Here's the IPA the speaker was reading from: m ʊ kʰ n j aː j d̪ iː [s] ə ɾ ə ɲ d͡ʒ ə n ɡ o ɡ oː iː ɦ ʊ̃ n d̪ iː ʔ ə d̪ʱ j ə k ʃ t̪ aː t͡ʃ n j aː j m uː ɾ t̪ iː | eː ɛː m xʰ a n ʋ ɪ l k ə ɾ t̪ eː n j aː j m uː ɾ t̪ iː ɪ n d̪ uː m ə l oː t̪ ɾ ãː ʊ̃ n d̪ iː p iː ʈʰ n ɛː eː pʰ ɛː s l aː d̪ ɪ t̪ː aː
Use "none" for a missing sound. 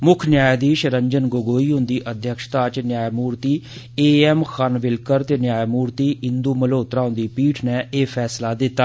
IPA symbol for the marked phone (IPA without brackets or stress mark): ʃ